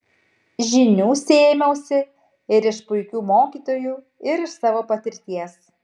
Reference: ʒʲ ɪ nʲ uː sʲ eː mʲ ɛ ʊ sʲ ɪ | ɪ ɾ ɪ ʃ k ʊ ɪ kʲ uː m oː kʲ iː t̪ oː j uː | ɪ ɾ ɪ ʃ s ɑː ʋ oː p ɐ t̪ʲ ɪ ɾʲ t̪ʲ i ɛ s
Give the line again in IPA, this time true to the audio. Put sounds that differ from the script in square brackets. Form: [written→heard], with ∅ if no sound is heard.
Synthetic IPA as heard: ʒʲ ɪ nʲ uː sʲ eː mʲ ɛ ʊ sʲ ɪ | ɪ ɾ ɪ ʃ [k→p] ʊ ɪ kʲ uː m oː kʲ iː t̪ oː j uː | ɪ ɾ ɪ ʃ s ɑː ʋ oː p ɐ t̪ʲ ɪ ɾʲ t̪ʲ i ɛ s